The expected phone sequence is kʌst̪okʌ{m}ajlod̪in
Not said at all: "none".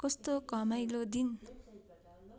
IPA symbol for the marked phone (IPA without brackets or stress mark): m